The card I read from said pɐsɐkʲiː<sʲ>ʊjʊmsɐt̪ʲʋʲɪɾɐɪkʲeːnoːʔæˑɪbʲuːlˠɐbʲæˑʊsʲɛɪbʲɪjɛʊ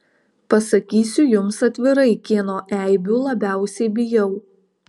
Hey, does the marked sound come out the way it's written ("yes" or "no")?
yes